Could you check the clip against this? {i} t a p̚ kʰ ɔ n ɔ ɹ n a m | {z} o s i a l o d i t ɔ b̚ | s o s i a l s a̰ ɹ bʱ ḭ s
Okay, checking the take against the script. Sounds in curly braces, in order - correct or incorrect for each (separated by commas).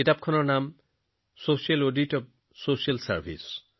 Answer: correct, incorrect